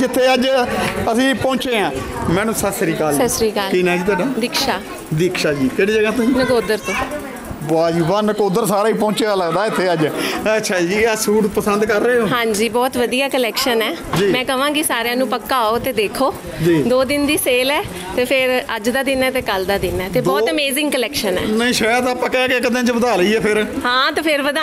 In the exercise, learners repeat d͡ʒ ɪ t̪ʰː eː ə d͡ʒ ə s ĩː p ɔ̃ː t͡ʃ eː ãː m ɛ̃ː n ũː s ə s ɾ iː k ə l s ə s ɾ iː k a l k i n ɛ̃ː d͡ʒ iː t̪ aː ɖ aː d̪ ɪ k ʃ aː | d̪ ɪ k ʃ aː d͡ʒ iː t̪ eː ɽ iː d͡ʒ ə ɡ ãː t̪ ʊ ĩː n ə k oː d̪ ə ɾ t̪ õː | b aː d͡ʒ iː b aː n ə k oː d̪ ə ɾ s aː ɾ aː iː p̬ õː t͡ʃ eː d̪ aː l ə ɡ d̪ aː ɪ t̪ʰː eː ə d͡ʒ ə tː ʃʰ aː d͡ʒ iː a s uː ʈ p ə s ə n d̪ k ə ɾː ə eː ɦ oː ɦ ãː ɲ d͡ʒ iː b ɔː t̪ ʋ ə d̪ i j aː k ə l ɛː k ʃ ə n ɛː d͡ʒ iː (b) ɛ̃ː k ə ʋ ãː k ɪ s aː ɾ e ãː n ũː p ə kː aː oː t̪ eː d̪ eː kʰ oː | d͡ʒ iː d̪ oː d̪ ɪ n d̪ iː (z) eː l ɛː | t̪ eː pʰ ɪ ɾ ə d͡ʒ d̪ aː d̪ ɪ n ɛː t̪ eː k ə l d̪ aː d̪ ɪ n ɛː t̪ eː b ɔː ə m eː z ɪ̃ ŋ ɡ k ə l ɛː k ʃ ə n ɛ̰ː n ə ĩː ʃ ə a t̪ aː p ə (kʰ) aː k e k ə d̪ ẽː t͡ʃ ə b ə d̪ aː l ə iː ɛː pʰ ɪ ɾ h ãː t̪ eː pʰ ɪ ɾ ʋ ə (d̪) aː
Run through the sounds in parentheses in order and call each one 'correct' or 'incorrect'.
incorrect: m, incorrect: s, incorrect: k, correct

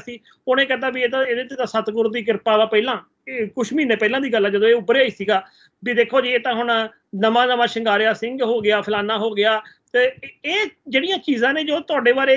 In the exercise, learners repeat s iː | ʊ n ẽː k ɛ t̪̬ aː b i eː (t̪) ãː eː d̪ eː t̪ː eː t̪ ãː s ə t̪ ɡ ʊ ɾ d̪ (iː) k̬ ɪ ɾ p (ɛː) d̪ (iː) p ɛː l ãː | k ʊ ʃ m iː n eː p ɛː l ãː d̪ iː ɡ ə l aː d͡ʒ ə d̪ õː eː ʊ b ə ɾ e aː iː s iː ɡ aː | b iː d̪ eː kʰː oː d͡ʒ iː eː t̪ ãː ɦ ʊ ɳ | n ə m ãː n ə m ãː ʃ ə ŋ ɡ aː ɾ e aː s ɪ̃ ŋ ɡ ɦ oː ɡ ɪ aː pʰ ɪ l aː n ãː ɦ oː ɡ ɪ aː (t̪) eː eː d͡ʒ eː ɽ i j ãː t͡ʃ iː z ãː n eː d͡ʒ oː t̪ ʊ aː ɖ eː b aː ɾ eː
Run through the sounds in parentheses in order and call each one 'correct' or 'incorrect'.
correct, correct, incorrect: aː, incorrect: aː, correct

